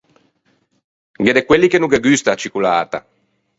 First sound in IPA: ɡ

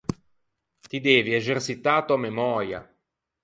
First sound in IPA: t̪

